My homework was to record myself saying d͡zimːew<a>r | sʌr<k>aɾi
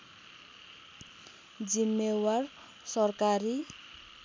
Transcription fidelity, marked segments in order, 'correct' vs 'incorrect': correct, correct

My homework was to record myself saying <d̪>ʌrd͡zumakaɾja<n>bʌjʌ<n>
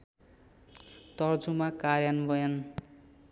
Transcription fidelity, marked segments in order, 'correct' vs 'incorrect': incorrect: t̪, correct, correct

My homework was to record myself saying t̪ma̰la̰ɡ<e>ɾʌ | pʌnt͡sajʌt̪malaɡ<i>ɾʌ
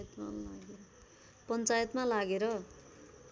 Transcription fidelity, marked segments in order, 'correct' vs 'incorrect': correct, incorrect: e

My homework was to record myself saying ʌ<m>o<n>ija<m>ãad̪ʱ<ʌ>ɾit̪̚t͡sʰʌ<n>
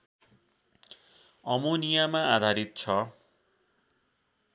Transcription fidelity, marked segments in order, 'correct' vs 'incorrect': correct, correct, correct, incorrect: a, incorrect: none

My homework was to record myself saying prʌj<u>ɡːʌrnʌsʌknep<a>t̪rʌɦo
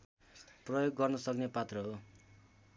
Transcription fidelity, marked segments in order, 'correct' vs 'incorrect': incorrect: o, correct

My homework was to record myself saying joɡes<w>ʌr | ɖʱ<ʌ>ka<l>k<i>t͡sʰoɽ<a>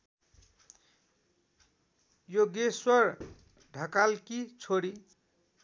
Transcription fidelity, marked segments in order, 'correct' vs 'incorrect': correct, correct, correct, correct, incorrect: i

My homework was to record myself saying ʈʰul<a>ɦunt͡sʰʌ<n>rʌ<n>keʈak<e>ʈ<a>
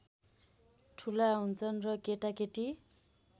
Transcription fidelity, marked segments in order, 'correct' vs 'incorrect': correct, correct, incorrect: none, correct, incorrect: i

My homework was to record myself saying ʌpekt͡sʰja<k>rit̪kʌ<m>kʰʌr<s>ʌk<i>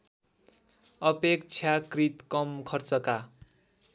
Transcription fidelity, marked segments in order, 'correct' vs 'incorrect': correct, correct, incorrect: t͡s, incorrect: a

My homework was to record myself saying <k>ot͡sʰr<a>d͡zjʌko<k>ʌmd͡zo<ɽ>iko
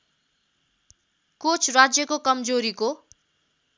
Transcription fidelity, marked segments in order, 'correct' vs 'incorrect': correct, correct, correct, incorrect: ɾ

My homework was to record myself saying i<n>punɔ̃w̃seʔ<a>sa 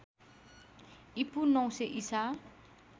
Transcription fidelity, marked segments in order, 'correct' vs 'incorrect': incorrect: none, incorrect: i

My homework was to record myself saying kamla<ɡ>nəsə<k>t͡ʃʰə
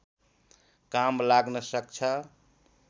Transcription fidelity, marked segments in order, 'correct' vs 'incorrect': correct, correct

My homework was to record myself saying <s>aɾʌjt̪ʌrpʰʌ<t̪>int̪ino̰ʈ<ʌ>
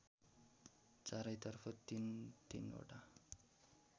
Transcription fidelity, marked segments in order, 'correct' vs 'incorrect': incorrect: t͡s, correct, incorrect: a

